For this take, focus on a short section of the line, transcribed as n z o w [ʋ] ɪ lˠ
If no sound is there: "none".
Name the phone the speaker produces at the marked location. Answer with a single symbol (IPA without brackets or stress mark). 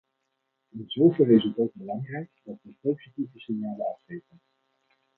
v